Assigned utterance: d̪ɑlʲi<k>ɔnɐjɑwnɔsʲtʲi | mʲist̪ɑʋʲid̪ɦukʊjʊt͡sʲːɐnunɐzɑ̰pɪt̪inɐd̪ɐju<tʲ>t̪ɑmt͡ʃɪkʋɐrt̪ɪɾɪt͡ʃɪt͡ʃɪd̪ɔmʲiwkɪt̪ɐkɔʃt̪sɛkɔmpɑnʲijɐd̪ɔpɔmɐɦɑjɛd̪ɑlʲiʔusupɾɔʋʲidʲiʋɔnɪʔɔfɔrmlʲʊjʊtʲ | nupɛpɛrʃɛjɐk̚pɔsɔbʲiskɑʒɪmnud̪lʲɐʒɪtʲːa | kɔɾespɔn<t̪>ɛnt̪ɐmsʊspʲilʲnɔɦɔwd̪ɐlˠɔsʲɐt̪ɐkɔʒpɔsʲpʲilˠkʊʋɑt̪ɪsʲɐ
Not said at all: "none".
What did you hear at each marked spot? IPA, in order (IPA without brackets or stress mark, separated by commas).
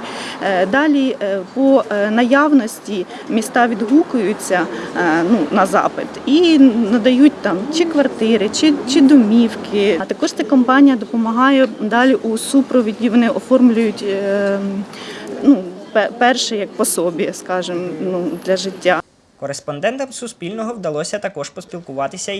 p, tʲ, d̪